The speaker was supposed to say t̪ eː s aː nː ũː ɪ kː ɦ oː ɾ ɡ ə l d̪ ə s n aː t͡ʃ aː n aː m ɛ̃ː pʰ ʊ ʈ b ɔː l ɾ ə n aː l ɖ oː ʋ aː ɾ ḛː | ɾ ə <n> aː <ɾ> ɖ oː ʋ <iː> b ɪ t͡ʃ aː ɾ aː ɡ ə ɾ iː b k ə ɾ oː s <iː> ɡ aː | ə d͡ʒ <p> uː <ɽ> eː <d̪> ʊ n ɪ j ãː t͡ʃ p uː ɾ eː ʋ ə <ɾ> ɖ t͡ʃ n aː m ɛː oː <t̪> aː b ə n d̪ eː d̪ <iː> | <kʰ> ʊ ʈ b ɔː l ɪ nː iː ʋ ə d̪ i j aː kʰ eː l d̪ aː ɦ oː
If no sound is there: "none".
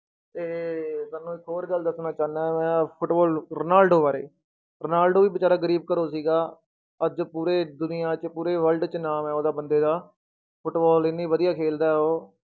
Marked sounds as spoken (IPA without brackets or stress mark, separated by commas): n, l, iː, iː, p, ɾ, d̪, l, d̪, aː, pʰ